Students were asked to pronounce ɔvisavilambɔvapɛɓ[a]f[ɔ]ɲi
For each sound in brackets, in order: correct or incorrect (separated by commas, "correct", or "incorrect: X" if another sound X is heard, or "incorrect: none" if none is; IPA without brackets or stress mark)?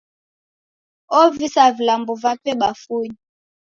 correct, incorrect: u